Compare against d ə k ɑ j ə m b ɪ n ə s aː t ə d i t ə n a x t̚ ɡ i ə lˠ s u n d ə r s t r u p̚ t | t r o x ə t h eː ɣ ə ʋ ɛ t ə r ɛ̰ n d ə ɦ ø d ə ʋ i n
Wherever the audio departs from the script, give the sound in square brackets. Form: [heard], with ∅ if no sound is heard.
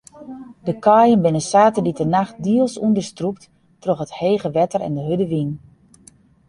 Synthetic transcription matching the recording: d ə k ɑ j ə [n] b ɪ n ə s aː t ə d i t ə n a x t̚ [d] i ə lˠ s u n d ə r s t r u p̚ t | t r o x ə t h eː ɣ ə ʋ ɛ t ə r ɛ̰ n d ə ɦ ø d ə ʋ i n